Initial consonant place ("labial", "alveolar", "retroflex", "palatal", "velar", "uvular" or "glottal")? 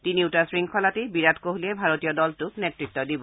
alveolar